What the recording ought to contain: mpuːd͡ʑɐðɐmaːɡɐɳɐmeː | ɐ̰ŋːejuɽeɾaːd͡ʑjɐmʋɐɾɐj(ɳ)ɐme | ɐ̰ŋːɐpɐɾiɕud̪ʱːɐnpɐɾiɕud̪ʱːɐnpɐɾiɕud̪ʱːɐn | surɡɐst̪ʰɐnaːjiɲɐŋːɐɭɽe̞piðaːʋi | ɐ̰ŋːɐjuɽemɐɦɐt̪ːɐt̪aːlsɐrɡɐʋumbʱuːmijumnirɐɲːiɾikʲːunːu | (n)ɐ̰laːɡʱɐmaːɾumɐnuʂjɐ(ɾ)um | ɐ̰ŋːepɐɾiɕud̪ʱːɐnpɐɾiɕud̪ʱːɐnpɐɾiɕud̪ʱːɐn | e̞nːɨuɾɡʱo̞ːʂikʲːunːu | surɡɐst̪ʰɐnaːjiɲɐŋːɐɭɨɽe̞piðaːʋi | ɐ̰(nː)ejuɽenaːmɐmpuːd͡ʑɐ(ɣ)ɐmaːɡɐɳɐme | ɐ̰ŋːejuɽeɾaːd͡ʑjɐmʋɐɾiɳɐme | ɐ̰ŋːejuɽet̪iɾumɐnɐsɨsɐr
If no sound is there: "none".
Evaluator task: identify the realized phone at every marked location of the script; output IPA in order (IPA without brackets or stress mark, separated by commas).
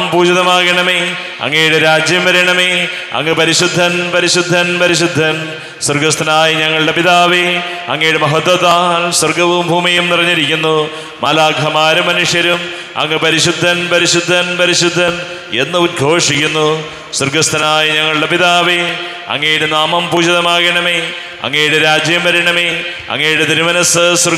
ɳ, m, ɾ, ŋː, ð